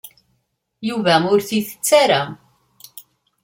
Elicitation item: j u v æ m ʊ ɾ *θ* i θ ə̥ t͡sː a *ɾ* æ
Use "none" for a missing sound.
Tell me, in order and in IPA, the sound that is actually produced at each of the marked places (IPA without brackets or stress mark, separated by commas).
θ, ɾ